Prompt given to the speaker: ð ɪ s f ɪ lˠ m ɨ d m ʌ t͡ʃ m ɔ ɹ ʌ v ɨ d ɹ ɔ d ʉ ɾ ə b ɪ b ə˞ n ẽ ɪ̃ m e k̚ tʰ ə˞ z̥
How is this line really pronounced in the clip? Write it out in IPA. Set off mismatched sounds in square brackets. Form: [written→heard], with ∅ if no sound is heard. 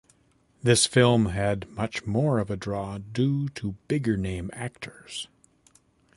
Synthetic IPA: ð ɪ s f ɪ lˠ m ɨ d m ʌ t͡ʃ m ɔ ɹ ʌ v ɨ d ɹ ɔ d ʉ ɾ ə b ɪ [b→ɡ] ə˞ n ẽ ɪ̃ m [e→æ] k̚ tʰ ə˞ z̥

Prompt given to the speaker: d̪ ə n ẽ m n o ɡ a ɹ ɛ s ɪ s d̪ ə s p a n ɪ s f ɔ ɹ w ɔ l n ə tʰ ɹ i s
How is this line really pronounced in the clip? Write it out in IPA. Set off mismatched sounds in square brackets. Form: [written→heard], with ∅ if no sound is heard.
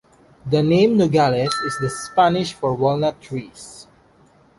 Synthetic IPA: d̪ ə n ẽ m n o ɡ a [ɹ→l] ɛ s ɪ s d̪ ə s p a n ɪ [s→ʃ] f ɔ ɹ w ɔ l n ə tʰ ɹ i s

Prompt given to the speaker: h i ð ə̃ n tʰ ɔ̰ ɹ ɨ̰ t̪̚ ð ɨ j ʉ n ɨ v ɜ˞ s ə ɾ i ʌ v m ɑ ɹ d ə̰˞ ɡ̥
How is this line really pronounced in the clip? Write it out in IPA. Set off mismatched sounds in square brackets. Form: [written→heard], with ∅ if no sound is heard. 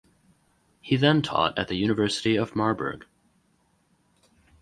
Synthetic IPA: h i ð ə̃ n tʰ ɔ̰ [ɹ→ɾ] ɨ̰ t̪̚ ð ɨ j ʉ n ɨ v ɜ˞ s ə ɾ i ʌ v m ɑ ɹ [d→b] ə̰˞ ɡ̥

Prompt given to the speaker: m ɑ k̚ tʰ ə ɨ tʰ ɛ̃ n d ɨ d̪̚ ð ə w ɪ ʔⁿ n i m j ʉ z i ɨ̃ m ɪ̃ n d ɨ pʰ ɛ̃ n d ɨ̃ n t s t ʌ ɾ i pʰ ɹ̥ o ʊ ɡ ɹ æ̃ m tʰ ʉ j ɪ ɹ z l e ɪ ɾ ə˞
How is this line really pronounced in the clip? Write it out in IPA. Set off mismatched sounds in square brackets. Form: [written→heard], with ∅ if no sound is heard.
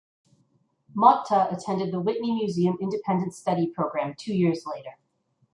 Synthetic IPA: m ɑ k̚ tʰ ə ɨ tʰ ɛ̃ n d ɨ d̪̚ ð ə w ɪ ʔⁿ n i m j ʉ z i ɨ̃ m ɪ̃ n d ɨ pʰ ɛ̃ n d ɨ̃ n t s t ʌ ɾ i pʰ ɹ̥ o ʊ ɡ ɹ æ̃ m tʰ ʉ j ɪ ɹ z l e ɪ ɾ ə˞

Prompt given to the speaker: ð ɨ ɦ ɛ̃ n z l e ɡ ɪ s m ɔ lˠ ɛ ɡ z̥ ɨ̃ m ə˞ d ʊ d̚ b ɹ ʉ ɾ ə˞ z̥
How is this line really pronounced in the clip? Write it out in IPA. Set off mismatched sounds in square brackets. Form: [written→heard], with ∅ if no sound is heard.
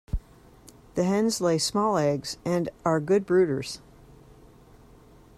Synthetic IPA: ð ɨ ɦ ɛ̃ n z l e [ɡ→∅] ɪ s m ɔ lˠ ɛ ɡ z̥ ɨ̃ [m→n] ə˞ [d→ɡ] ʊ d̚ b ɹ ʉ ɾ ə˞ z̥

